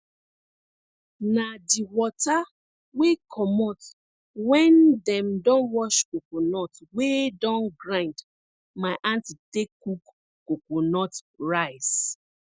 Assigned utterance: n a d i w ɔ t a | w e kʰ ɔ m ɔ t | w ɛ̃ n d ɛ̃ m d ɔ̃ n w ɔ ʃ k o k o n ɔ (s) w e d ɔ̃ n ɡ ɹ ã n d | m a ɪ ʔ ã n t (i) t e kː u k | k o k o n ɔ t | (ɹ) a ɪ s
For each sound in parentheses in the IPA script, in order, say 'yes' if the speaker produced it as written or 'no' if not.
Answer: no, yes, yes

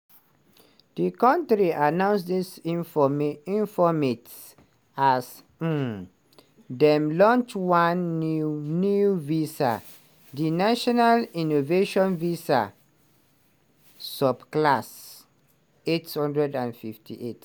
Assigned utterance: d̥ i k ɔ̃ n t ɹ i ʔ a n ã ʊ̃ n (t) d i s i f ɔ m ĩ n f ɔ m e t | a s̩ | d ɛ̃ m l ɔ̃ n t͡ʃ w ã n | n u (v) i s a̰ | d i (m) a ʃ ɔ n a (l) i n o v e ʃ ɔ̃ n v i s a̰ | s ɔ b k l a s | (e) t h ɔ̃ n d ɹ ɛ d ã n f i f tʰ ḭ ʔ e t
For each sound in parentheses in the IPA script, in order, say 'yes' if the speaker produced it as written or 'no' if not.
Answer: no, yes, no, yes, yes

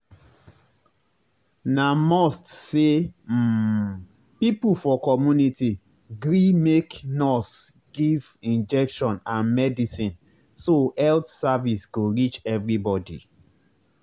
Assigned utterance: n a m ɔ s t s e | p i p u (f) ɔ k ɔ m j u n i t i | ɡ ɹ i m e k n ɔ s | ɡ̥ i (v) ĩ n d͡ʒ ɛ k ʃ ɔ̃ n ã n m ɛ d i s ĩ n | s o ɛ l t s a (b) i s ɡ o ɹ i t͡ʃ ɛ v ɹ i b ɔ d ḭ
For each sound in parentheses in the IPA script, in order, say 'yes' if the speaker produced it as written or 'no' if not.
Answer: yes, yes, no

